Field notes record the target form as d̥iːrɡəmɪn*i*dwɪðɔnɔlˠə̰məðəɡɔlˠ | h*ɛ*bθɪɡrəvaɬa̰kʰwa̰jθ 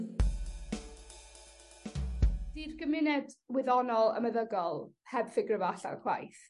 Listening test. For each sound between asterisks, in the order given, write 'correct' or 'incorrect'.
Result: incorrect: ɛ, correct

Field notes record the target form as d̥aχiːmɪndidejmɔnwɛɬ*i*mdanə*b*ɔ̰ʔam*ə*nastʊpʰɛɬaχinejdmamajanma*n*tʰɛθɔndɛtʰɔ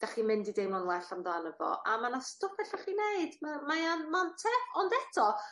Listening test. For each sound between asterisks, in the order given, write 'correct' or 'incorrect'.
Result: incorrect: a, incorrect: v, incorrect: a, correct

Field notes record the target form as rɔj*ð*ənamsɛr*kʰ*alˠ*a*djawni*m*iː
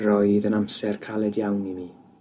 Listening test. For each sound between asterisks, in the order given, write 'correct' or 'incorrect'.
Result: correct, correct, incorrect: ɛ, correct

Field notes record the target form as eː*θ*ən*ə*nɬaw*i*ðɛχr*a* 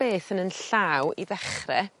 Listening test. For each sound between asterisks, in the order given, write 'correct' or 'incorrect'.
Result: correct, correct, correct, incorrect: ɛ

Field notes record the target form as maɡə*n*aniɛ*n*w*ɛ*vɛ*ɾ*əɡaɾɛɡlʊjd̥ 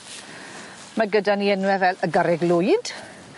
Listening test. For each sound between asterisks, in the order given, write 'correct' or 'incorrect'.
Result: incorrect: d, correct, correct, incorrect: l

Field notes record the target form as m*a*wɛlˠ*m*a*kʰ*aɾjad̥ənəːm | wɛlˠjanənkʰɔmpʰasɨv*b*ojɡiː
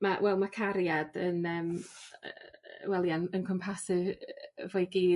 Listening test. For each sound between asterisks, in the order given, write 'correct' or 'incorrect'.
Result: correct, correct, correct, incorrect: v

